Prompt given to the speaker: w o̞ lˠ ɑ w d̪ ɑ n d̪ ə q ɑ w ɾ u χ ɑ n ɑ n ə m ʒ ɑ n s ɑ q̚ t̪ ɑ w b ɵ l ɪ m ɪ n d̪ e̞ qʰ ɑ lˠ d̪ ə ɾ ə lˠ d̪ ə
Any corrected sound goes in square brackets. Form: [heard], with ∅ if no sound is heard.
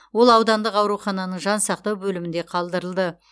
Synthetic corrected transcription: w o̞ lˠ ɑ w d̪ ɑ n d̪ ə q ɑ w ɾ u χ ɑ n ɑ n ə [ɴ] ʒ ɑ n s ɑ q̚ t̪ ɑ w b ɵ l ɪ m ɪ n d̪ e̞ qʰ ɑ lˠ d̪ ə ɾ ə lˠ d̪ ə